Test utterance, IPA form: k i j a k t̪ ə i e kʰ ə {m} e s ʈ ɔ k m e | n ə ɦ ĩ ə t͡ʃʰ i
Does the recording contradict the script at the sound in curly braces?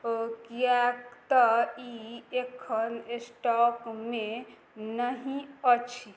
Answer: yes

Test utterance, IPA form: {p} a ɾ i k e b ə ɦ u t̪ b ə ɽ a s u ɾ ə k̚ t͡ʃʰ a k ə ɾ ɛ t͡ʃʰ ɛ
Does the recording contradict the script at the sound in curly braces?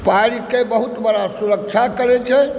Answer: no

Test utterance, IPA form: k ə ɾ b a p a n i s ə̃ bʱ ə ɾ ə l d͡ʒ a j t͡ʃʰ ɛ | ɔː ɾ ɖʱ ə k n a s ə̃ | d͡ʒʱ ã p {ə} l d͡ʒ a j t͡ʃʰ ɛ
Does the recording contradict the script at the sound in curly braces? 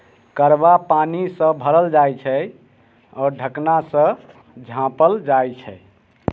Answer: no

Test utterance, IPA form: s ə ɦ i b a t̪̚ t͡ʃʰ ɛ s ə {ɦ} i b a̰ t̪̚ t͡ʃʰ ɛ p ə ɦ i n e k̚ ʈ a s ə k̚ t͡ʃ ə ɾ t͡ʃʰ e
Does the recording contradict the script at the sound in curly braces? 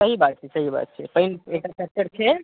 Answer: no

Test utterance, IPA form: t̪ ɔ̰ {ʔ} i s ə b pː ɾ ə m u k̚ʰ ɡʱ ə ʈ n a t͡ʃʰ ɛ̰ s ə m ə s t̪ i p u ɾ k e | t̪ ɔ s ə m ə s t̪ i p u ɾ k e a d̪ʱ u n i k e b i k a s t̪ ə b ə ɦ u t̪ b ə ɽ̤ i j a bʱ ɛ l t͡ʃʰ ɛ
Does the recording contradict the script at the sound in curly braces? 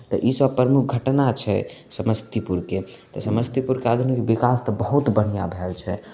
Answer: no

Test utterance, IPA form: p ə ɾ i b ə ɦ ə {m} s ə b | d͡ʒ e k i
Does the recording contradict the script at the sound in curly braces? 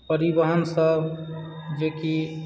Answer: yes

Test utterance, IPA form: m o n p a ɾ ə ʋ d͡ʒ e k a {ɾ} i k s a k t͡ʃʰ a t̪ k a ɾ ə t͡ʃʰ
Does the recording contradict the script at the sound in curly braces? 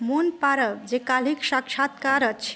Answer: yes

